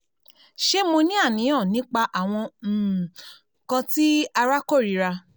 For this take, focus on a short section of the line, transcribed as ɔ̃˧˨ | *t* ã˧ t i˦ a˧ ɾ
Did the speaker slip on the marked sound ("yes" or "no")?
yes